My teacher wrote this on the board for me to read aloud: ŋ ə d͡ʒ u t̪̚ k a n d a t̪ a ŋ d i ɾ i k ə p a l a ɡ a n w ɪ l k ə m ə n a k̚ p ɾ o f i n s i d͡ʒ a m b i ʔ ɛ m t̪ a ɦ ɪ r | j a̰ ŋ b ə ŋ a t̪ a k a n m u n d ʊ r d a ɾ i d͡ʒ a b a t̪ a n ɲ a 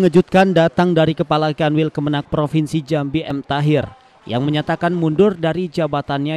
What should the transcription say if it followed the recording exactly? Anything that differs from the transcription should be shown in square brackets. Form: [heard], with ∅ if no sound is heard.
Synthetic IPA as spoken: ŋ ə d͡ʒ u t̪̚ k a n d a t̪ a ŋ d [a] ɾ i k ə p a l a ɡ a n w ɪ l k ə m ə n a k̚ p ɾ o f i n s i d͡ʒ a m b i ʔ ɛ m t̪ a ɦ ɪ r | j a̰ ŋ [m] ə [ɲ] a t̪ a k a n m u n d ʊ r d a ɾ i d͡ʒ a b a t̪ a n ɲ a